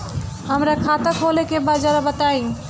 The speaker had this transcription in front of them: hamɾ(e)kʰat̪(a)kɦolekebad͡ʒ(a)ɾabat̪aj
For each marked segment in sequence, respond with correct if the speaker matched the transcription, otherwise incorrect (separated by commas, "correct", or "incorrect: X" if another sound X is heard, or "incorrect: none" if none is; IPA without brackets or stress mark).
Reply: incorrect: a, correct, correct